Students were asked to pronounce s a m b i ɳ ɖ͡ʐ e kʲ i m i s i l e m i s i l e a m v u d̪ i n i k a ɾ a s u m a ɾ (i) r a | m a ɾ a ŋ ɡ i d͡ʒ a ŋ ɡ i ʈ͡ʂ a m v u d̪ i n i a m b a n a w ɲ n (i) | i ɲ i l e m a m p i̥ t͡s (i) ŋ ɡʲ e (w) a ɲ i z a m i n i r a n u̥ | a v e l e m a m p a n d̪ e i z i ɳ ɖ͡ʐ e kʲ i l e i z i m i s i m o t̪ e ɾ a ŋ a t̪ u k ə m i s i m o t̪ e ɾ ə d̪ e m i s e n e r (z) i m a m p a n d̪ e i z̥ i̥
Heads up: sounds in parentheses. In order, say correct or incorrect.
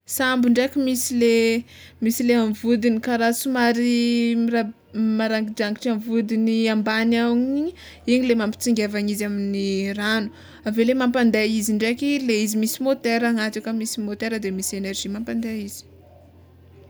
correct, correct, correct, incorrect: v, incorrect: ʒ

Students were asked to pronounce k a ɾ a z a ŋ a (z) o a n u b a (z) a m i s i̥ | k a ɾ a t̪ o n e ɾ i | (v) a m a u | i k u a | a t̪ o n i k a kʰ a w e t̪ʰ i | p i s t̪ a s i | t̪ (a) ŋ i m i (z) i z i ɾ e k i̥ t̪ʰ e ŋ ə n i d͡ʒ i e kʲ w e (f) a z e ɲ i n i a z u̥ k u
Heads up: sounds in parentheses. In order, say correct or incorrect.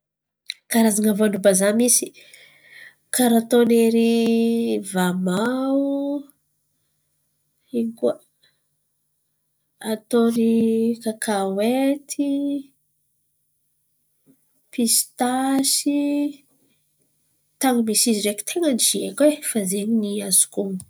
incorrect: v, correct, correct, correct, incorrect: s, correct

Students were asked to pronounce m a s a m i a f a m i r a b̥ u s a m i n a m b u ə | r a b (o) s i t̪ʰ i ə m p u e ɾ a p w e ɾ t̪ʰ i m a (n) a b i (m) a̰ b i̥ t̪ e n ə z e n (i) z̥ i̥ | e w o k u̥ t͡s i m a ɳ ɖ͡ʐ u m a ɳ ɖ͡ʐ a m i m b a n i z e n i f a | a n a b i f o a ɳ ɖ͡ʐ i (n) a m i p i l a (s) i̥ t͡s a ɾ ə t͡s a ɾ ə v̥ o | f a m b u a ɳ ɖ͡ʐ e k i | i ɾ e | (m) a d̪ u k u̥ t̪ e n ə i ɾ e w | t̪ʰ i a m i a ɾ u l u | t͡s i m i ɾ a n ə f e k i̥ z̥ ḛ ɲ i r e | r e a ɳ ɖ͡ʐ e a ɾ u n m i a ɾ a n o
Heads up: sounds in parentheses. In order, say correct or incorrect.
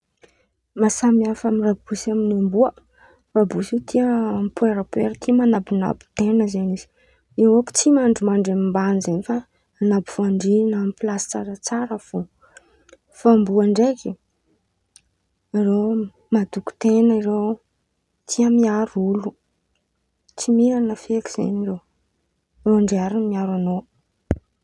incorrect: u, correct, incorrect: n, correct, correct, correct, correct

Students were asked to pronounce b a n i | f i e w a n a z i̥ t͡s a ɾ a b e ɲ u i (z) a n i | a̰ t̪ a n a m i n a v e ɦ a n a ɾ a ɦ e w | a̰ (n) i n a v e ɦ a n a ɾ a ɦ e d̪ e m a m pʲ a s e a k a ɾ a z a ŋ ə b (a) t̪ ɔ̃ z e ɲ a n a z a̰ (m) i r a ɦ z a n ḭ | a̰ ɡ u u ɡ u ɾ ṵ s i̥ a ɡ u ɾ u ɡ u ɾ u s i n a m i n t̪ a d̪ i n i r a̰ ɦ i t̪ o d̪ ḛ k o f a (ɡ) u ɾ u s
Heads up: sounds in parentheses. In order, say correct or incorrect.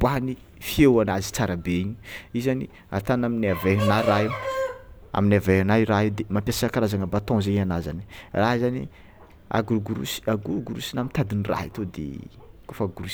correct, incorrect: m, correct, incorrect: n, correct

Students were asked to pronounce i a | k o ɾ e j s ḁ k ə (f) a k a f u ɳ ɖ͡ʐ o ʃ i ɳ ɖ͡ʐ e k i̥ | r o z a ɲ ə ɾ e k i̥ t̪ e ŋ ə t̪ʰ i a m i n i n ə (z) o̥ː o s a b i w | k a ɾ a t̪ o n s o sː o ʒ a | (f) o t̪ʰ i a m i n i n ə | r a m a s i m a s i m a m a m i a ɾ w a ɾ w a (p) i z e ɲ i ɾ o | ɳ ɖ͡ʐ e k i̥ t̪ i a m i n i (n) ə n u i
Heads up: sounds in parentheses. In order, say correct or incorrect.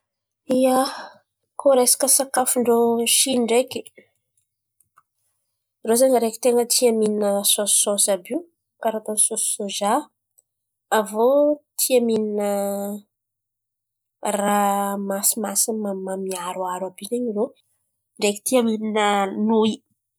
incorrect: s, incorrect: s, incorrect: v, incorrect: b, correct

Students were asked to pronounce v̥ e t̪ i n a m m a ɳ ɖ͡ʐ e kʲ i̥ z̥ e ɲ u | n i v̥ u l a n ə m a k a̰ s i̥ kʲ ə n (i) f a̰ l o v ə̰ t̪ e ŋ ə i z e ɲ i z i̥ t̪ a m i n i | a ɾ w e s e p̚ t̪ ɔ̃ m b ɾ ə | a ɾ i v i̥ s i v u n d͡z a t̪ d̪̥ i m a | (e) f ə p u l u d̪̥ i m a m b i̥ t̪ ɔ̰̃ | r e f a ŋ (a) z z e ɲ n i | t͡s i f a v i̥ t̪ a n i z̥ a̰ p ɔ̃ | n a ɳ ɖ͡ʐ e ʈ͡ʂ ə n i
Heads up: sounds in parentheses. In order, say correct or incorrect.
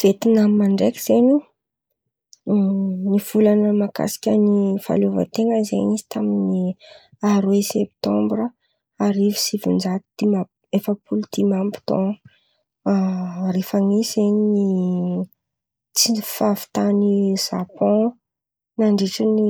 correct, correct, incorrect: i

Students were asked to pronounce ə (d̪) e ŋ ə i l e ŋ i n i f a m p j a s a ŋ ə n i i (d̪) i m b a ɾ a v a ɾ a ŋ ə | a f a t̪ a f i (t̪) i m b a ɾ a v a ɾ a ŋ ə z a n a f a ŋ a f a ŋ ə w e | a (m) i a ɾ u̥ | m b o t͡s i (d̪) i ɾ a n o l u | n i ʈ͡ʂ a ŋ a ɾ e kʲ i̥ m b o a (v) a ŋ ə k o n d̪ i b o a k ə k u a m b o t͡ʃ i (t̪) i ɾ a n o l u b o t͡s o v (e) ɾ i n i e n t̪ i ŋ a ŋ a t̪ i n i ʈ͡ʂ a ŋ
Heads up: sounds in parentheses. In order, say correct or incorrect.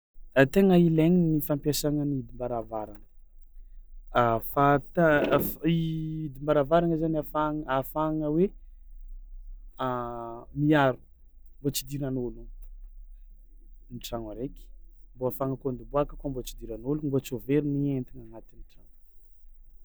incorrect: t̪, correct, incorrect: d̪, correct, correct, incorrect: f, incorrect: d̪, correct

